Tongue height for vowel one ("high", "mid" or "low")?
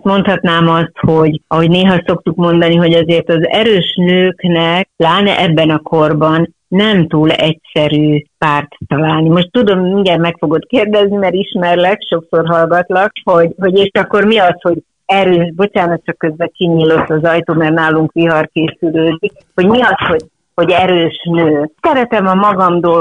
mid